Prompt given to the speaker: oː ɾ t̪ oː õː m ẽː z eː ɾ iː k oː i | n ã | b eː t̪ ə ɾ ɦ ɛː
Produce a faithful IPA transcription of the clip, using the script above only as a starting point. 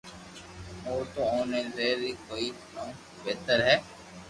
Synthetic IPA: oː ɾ t̪ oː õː n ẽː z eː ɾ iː k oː i | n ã | b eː t̪ ə ɾ ɦ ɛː